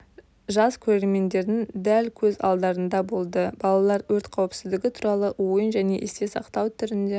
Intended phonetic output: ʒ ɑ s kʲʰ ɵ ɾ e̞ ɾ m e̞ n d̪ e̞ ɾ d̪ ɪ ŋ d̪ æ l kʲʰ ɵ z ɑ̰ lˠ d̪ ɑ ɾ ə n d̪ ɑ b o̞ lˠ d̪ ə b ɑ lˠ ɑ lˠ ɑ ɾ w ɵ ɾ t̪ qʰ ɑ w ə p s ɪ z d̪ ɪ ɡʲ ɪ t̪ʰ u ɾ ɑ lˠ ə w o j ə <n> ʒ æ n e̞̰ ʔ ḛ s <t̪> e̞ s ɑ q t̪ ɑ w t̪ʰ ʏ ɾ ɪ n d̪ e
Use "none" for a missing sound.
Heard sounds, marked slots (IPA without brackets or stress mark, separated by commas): n, t̪